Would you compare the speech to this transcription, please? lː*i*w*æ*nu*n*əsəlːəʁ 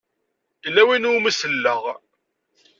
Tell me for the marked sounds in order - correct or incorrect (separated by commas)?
incorrect, incorrect, incorrect